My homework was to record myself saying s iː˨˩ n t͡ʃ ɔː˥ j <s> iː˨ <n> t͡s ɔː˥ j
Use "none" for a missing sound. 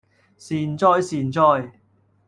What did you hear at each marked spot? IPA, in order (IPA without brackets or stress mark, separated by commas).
s, n